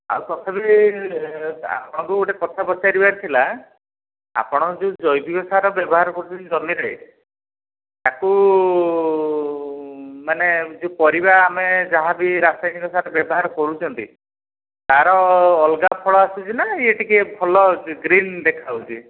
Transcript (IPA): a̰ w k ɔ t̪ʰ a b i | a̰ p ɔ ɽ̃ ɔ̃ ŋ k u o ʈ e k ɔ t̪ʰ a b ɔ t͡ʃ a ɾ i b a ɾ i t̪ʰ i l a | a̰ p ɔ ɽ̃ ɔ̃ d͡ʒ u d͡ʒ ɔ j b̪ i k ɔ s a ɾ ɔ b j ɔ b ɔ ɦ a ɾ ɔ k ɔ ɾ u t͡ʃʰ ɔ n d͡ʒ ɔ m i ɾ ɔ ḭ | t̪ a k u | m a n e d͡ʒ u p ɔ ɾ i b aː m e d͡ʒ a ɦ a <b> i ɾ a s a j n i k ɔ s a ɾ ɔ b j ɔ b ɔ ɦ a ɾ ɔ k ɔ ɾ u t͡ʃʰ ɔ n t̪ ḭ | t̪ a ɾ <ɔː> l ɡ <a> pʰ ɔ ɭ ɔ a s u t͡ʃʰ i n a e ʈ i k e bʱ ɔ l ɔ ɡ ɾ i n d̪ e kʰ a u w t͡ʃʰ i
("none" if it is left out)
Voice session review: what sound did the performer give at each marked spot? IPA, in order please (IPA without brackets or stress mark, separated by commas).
b, ɔː, a